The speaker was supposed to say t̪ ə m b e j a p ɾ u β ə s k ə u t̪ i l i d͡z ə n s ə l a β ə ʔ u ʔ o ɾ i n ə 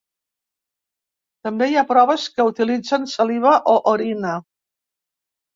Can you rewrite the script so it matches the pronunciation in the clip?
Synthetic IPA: t̪ ə m b e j a p ɾ ɔ β ə s k ə u t̪ i l i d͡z ə n s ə l i β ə ʔ o ʔ o ɾ i n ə